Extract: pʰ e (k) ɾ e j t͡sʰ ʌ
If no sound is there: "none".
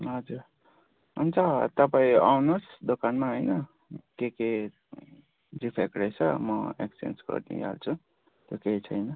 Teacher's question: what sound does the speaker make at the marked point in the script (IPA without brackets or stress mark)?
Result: k